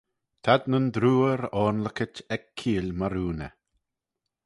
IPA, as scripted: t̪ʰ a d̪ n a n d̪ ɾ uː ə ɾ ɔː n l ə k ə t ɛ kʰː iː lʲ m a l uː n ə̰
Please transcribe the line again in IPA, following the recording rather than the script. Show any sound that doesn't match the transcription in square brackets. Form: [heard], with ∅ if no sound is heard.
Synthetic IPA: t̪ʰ a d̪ n [ə] n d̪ ɾ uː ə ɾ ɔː n l ə k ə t ɛ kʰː iː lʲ m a [ɾ] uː n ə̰